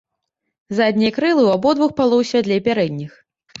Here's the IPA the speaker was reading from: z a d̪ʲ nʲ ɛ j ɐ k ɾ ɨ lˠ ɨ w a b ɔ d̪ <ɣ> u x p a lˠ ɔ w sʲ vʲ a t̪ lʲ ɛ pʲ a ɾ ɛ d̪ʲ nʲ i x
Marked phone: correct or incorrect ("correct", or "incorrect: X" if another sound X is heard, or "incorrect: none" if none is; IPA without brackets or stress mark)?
incorrect: v